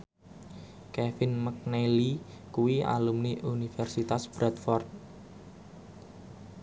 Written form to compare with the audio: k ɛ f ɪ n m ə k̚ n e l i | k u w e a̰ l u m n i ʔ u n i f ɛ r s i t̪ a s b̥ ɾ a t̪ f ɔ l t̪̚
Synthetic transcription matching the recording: k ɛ f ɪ n m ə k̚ n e l i | k u w i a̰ l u m n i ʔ u n i f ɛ r s i t̪ a s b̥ ɾ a t̪ f ɔ r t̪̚